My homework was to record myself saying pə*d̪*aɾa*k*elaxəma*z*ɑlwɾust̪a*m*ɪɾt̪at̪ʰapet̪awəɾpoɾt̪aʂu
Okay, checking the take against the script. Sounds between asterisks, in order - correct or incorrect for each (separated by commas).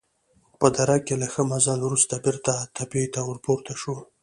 correct, correct, correct, incorrect